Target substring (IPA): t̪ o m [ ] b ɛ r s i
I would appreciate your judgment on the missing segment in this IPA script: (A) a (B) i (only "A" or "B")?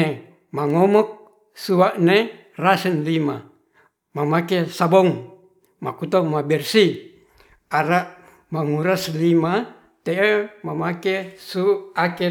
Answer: A